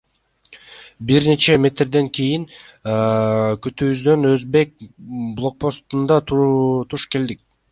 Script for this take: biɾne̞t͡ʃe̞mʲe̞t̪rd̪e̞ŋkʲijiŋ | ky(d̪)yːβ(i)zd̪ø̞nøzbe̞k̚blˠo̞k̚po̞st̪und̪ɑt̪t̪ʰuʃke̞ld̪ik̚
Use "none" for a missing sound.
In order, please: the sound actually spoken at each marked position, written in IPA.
t̪, y

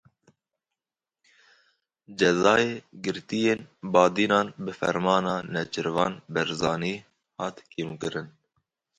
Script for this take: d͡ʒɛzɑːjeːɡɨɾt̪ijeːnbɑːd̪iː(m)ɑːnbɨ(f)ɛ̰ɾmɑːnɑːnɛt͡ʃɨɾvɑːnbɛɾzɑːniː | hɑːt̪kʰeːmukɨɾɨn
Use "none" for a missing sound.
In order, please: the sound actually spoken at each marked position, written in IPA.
n, f

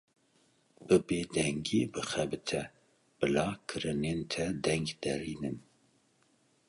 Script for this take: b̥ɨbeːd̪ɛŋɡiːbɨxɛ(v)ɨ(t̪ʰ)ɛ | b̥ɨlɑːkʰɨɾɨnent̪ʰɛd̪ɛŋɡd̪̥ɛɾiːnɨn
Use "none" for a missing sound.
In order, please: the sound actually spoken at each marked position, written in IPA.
b, t̪ʰ

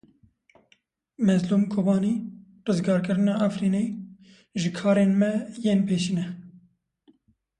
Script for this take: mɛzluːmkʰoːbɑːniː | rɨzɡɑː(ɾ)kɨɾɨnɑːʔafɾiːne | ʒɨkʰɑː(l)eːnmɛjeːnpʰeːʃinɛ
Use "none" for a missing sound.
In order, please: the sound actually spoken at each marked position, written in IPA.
ɾ, ɾ

